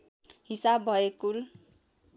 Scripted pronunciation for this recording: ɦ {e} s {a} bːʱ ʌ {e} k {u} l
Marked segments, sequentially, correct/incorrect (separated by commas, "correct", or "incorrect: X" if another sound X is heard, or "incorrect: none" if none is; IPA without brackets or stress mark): incorrect: i, correct, correct, correct